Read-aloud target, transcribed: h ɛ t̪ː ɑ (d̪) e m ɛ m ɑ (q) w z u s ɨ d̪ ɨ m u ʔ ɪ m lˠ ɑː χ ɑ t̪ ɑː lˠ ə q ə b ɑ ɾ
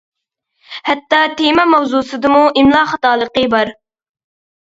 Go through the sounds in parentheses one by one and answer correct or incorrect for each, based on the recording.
incorrect: t̪, incorrect: none

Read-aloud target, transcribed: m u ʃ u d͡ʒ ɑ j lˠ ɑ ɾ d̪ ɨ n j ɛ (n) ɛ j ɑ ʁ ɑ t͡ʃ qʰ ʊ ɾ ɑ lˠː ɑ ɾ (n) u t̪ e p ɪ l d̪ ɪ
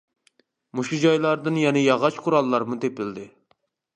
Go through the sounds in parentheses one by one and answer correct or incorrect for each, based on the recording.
correct, incorrect: m

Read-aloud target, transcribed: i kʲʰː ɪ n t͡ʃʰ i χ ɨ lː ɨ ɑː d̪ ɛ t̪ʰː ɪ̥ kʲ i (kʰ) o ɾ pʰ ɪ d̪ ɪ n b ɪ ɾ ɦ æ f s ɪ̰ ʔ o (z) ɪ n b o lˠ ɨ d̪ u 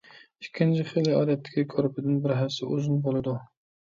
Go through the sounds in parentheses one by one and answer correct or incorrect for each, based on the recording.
correct, correct

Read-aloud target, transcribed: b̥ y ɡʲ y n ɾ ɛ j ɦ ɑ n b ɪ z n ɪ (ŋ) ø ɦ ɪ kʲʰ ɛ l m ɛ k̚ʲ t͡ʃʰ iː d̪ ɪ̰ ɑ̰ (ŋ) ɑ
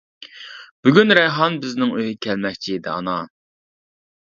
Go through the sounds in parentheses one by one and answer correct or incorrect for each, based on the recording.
correct, incorrect: n

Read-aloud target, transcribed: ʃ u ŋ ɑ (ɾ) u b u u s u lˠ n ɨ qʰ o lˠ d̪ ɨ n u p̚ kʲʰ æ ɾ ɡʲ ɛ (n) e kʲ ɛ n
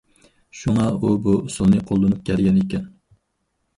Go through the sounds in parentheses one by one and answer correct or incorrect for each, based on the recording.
incorrect: none, correct

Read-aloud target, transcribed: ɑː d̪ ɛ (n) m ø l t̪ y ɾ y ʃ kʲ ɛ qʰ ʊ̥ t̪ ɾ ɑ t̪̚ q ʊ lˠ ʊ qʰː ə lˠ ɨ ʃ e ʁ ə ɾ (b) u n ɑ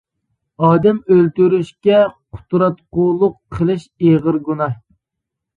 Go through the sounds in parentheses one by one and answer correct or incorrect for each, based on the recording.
incorrect: none, incorrect: ɡ

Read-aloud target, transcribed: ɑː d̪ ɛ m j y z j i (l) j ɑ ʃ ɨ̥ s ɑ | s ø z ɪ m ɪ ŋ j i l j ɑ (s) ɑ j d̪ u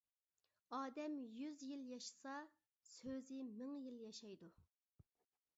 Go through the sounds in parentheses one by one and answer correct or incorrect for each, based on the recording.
correct, incorrect: ʃ

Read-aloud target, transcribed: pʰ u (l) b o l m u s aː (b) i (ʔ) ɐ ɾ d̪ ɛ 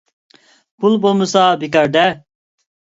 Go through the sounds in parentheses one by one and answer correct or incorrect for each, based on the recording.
correct, correct, incorrect: k

